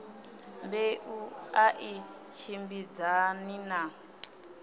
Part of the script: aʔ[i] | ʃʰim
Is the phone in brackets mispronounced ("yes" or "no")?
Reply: no